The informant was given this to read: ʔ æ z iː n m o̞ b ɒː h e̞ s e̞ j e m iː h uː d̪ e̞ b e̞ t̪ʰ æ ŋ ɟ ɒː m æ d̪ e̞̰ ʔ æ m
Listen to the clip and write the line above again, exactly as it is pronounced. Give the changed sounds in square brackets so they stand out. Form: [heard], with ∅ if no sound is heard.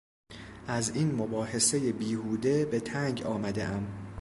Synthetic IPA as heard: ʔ æ z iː n m o̞ b ɒː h e̞ s e̞ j e [b] iː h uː d̪ e̞ b e̞ t̪ʰ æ ŋ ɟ ɒː m æ d̪ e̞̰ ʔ æ m